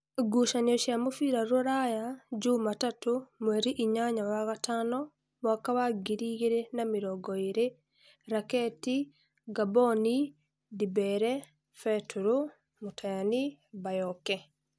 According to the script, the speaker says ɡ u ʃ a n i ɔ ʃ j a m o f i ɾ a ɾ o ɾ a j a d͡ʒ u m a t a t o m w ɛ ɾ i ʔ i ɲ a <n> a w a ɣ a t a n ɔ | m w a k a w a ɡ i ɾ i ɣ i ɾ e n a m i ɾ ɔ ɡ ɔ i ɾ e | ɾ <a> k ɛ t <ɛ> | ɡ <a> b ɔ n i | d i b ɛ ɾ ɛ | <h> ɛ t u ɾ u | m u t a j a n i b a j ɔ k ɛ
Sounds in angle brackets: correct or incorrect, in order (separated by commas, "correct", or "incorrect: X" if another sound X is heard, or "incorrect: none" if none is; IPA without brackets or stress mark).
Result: incorrect: ɲ, correct, incorrect: i, correct, incorrect: f